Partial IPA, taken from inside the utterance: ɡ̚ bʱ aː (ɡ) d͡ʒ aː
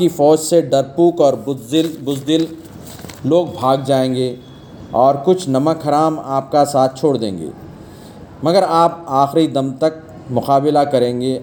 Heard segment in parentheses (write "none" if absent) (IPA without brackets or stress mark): ɡ